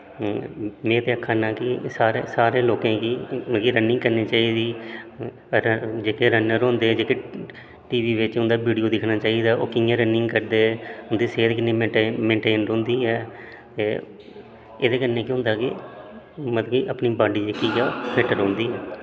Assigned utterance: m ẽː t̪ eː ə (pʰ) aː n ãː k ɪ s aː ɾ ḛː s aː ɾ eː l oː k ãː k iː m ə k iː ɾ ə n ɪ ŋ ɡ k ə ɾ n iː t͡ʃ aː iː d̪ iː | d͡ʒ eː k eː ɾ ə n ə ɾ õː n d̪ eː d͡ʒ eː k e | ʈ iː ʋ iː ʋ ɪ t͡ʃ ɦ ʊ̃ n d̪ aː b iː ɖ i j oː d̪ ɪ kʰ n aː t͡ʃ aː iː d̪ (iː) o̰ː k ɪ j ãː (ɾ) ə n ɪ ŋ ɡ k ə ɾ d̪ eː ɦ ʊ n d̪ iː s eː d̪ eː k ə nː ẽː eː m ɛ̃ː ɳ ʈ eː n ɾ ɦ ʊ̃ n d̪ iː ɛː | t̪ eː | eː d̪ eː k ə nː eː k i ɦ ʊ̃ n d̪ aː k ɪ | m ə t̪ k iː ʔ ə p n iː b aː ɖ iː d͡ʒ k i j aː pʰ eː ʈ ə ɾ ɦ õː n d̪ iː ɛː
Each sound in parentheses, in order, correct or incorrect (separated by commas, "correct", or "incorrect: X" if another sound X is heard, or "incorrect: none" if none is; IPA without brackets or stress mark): incorrect: kʰ, incorrect: aː, correct